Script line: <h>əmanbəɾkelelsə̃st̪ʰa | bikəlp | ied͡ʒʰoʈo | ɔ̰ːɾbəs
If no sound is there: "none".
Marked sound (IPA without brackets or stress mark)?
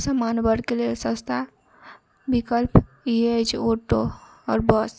s